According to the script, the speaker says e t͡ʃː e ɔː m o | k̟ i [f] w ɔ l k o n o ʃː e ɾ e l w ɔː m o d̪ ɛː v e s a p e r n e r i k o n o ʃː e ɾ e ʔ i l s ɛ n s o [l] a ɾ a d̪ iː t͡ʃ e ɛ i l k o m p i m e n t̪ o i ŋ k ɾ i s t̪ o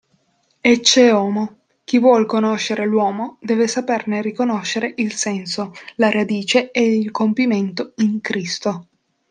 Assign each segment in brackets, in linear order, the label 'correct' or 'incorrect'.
incorrect, correct

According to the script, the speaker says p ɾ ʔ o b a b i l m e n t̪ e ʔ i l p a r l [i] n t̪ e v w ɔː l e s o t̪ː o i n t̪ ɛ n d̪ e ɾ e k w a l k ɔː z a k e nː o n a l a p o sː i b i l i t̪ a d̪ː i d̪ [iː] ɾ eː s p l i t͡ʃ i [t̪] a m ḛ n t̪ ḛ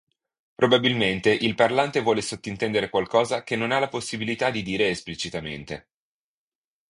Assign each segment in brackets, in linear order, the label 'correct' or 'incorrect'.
incorrect, correct, correct

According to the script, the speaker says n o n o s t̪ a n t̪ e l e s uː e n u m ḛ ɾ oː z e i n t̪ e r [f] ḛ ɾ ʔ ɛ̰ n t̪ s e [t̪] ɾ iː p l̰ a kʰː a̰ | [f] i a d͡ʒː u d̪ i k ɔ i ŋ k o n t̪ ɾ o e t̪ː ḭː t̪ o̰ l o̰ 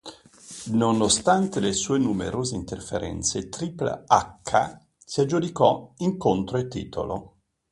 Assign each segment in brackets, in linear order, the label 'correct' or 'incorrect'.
correct, correct, incorrect

